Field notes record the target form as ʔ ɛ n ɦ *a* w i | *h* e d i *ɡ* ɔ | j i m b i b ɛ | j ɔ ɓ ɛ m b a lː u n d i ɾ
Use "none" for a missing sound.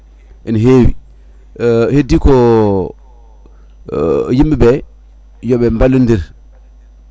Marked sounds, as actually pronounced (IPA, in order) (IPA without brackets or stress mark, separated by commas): e, h, k